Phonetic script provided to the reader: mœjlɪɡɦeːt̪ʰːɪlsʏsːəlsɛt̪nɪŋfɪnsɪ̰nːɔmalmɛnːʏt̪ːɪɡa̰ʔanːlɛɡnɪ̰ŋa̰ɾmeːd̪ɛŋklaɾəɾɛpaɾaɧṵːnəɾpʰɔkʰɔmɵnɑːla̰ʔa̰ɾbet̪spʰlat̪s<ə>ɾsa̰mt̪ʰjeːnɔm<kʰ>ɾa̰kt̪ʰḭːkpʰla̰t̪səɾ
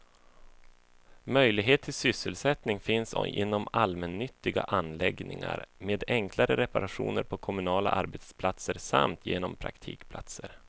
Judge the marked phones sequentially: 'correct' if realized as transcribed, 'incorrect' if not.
correct, incorrect

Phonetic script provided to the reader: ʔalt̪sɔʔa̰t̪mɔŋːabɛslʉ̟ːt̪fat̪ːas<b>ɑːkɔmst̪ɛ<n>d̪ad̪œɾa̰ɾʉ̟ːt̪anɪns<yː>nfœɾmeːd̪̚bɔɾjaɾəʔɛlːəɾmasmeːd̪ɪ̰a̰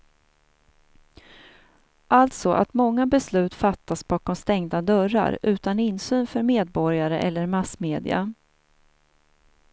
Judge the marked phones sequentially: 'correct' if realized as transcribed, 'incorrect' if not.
correct, incorrect, correct

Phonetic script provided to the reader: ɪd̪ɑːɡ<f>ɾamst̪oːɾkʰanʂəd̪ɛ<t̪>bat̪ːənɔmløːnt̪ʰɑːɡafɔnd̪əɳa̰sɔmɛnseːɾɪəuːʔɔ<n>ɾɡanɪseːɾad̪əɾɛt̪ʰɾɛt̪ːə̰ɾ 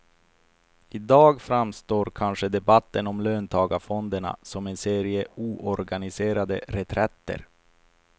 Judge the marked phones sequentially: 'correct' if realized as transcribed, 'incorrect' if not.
correct, incorrect, incorrect

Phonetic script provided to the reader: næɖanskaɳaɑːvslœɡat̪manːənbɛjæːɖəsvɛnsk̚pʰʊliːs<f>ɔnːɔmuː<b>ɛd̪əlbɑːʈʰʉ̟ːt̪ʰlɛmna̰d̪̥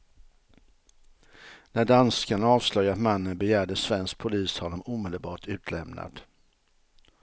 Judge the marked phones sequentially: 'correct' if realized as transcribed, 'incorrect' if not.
incorrect, incorrect

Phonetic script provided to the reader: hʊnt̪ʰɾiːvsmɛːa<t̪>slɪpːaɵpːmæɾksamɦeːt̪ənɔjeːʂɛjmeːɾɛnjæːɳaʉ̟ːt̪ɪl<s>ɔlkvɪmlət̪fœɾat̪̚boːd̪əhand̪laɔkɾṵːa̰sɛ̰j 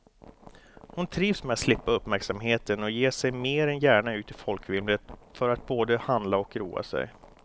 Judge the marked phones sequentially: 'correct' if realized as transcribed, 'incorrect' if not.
correct, incorrect

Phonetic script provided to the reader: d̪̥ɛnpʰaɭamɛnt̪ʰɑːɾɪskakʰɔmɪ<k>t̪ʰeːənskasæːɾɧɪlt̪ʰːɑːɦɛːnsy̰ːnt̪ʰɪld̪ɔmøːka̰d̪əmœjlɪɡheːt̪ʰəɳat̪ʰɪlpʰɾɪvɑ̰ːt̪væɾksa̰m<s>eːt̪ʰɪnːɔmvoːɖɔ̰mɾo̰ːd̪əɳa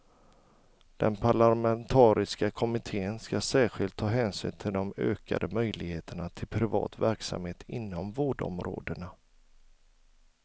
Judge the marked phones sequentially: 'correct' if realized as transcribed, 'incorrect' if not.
incorrect, incorrect

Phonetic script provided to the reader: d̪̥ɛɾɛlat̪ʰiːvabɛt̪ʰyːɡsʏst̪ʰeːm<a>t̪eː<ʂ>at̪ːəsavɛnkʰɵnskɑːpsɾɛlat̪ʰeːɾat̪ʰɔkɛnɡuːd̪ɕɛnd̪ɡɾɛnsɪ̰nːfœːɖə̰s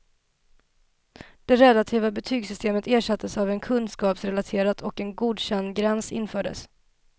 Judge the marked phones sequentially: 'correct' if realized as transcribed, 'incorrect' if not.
incorrect, correct

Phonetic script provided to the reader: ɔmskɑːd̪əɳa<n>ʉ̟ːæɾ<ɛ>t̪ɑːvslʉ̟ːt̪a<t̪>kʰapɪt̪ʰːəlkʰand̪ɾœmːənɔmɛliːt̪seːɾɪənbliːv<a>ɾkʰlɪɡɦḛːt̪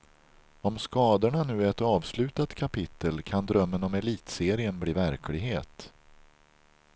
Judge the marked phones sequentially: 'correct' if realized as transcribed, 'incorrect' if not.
correct, correct, correct, incorrect

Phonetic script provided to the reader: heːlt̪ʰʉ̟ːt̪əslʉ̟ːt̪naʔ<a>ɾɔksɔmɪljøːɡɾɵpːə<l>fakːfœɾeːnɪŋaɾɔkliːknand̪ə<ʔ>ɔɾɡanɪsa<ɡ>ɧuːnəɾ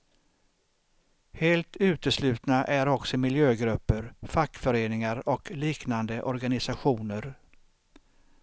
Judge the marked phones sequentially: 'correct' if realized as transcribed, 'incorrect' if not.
incorrect, incorrect, correct, incorrect

